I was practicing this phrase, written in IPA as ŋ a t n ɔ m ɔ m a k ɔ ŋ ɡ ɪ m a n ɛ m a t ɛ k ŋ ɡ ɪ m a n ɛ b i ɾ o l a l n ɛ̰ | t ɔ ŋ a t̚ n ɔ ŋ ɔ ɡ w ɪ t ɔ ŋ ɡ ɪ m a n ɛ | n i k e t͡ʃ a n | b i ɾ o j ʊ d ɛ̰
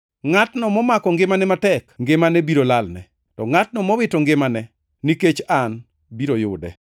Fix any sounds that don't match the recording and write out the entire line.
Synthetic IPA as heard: ŋ a t n ɔ m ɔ m a k ɔ ŋ ɡ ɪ m a n ɛ m a t ɛ k ŋ ɡ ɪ m a n ɛ b i ɾ o l a l n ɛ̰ | t ɔ ŋ a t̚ n ɔ m ɔ w ɪ t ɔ ŋ ɡ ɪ m a n ɛ | n i k e t͡ʃ a n | b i ɾ o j ʊ d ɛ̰